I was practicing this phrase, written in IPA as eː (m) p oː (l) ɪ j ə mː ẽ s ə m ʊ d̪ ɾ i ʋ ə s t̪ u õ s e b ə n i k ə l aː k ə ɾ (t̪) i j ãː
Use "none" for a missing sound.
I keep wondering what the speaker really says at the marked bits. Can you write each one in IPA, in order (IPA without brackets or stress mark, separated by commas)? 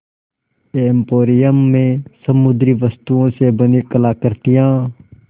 m, ɾ, t̪